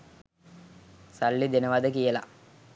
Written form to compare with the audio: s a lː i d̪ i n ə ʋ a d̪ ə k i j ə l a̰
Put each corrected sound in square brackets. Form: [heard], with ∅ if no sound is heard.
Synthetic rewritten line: s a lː i d̪ [e] n ə ʋ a d̪ ə k i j ə l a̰

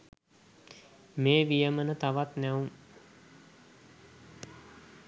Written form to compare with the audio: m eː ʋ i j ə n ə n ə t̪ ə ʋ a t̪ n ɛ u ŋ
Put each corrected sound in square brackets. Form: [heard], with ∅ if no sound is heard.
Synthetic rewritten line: m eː ʋ i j ə [m] ə n ə t̪ [a] ʋ a t̪ n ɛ u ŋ

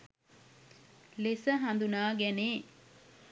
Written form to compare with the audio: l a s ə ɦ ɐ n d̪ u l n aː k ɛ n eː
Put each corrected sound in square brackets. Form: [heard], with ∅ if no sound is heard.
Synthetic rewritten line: l [e] s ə ɦ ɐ n d̪ u [∅] n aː [ɡ] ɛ n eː

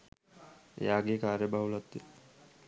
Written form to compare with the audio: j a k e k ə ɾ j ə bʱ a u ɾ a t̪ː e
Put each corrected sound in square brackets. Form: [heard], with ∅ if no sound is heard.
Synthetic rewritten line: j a [ɡ] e k [a] ɾ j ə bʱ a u [l] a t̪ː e

